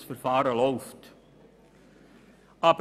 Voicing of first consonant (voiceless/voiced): voiceless